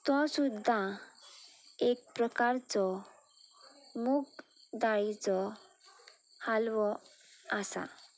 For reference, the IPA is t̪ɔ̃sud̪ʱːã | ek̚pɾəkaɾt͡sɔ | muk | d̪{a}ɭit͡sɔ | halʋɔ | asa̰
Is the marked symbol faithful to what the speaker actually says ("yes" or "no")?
yes